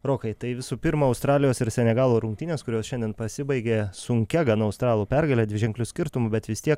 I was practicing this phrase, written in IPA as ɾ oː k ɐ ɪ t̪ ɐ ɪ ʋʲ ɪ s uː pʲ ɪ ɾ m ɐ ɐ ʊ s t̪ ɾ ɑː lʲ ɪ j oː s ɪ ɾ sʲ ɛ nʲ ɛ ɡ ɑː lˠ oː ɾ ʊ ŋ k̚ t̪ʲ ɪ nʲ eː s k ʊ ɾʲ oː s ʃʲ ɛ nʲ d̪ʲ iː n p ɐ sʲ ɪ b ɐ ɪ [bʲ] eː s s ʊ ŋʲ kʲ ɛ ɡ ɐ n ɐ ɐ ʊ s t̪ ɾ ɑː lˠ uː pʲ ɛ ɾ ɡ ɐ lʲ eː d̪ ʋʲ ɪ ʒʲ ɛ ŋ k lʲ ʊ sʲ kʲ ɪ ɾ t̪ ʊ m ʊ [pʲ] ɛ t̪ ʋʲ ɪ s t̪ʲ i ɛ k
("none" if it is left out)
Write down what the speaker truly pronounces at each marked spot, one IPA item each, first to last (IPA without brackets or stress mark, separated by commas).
ɡʲ, bʲ